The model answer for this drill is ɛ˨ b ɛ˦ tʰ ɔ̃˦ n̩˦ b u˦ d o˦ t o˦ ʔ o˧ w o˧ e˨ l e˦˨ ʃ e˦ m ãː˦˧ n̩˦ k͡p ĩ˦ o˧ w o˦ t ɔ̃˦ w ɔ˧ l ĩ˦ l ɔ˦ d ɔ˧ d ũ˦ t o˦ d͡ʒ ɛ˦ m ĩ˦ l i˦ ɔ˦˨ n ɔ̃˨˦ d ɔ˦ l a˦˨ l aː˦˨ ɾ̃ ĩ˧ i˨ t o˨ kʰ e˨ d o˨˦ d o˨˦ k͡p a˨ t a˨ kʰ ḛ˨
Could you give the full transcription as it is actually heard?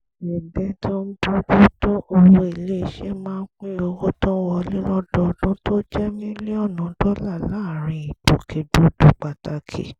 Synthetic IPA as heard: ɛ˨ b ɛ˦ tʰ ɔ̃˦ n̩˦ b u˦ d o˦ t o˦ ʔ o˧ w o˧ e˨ l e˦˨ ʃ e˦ m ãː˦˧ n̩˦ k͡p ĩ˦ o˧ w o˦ t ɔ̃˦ w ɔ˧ l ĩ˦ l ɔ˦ d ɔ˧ d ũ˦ t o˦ d͡ʒ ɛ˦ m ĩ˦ l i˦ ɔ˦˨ n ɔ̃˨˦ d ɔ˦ l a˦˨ l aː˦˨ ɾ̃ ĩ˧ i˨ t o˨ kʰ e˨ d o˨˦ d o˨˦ k͡p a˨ t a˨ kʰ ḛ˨